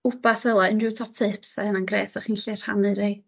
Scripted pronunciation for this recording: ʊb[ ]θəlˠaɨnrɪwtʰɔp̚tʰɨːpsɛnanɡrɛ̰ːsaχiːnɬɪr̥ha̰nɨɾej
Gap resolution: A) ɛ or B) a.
B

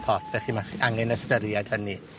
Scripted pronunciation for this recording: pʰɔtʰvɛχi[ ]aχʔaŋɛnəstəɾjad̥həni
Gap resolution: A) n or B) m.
B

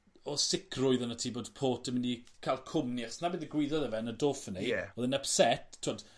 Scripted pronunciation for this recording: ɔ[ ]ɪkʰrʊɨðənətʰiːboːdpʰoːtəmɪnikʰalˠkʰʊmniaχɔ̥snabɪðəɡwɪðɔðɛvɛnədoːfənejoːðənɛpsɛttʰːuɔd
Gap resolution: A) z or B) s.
B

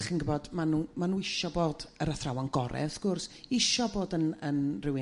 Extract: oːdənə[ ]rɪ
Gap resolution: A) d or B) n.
B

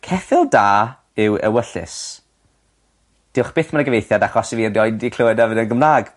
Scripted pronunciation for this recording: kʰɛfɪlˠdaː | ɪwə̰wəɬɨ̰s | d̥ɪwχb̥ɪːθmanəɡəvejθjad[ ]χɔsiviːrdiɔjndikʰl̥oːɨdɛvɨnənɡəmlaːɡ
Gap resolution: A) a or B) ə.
A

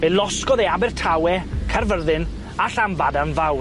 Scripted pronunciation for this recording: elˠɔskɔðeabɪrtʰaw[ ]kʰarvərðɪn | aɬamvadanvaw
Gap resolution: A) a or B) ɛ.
B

